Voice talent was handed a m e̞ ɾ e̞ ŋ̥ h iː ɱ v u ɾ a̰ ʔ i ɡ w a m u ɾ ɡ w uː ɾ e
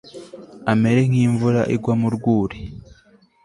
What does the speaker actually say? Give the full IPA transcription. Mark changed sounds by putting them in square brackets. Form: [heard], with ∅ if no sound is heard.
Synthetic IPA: a m e̞ ɾ e̞ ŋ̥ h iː ɱ v u ɾ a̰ ʔ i ɡ w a m u ɾ ɡ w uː ɾ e